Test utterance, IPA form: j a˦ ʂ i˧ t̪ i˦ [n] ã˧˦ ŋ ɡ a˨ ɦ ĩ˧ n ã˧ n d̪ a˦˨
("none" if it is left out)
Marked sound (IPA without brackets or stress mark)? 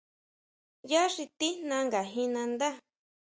n